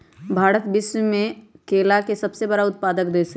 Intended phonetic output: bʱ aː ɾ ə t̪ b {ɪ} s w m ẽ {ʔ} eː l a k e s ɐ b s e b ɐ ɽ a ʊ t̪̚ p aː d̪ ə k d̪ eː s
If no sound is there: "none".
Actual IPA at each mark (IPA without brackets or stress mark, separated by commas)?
ɪ, k